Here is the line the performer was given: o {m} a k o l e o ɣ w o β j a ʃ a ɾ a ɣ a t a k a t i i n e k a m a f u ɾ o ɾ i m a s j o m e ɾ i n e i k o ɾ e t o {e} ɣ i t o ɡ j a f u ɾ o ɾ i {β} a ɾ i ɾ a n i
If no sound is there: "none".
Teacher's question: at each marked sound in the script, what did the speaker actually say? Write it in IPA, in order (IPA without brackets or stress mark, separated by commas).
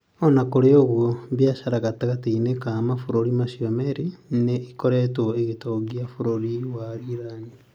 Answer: n, e, w